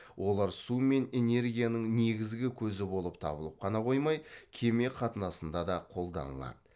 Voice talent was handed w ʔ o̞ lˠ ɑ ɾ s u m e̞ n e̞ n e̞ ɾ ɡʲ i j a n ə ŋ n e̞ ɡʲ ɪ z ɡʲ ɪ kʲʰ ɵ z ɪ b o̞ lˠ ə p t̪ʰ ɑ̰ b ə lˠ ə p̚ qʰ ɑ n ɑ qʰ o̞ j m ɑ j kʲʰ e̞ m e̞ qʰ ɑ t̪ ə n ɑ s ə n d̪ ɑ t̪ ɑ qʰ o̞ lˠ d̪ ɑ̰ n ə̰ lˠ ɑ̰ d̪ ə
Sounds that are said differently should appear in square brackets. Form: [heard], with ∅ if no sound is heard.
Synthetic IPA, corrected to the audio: w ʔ o̞ lˠ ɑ ɾ s u m e̞ n e̞ n e̞ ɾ ɡʲ i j a n ə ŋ n e̞ ɡʲ ɪ z ɡʲ ɪ kʲʰ ɵ z ɪ b o̞ lˠ ə p t̪ʰ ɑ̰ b ə lˠ ə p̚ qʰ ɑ n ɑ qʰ o̞ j m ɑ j kʲʰ e̞ m e̞ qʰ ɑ t̪ ə n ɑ s ə n d̪ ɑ [d̪] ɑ qʰ o̞ lˠ d̪ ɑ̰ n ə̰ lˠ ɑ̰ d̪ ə